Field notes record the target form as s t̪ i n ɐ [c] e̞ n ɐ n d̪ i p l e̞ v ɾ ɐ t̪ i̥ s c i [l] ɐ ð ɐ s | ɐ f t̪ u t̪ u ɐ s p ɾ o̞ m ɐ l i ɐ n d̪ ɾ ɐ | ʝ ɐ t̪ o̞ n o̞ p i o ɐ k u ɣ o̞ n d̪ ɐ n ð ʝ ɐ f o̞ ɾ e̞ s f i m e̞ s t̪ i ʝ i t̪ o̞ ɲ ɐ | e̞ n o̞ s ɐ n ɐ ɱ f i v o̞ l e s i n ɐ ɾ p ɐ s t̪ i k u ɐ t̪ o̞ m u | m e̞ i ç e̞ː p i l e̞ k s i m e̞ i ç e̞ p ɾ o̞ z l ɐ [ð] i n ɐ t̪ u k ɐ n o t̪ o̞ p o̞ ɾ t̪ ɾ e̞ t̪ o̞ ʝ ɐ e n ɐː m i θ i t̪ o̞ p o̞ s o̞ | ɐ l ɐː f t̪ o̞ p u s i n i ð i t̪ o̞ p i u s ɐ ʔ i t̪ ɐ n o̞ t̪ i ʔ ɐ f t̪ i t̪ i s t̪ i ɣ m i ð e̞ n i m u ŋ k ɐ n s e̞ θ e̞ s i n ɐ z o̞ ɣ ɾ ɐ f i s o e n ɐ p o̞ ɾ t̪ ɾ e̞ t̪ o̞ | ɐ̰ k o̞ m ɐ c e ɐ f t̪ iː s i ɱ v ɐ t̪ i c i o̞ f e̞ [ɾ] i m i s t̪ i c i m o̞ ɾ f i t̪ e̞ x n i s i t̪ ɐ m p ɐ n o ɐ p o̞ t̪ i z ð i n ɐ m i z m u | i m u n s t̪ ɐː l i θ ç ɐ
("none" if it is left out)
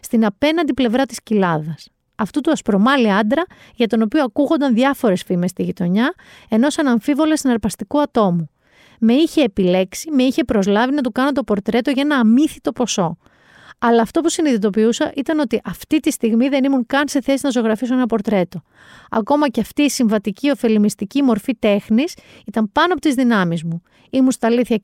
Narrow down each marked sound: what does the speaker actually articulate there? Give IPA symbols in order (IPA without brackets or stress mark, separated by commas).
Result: p, l, v, l